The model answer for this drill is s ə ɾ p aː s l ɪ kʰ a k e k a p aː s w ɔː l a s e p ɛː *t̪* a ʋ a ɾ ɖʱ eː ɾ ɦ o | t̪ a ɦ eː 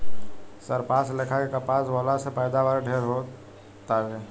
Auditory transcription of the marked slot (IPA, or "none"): d̪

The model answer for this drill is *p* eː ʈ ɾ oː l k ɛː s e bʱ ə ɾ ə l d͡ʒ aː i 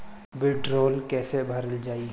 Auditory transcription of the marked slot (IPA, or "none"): b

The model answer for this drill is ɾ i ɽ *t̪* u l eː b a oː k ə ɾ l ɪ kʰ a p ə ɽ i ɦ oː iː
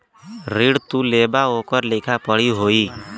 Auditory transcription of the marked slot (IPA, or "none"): t̪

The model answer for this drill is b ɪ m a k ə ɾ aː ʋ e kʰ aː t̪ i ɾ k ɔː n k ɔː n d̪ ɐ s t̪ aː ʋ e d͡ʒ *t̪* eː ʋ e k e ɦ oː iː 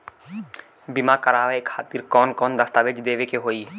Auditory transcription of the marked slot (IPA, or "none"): d̪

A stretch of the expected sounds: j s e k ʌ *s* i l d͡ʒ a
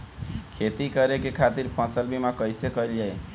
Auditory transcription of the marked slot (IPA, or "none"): none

